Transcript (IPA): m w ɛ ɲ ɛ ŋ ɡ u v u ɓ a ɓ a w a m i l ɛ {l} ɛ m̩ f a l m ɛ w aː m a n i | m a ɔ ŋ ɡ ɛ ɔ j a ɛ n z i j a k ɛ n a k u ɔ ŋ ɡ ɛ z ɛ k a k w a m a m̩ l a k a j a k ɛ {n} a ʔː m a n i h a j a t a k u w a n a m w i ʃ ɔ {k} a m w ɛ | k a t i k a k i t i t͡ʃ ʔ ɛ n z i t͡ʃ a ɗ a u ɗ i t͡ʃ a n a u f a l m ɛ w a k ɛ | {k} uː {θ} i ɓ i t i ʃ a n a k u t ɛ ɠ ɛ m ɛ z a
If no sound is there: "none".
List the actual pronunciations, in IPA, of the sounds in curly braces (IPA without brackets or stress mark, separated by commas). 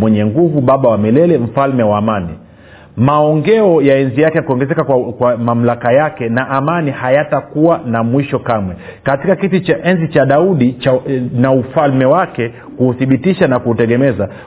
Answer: l, n, k, k, θ